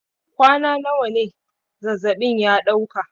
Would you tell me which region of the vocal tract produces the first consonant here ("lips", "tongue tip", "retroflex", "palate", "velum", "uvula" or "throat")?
velum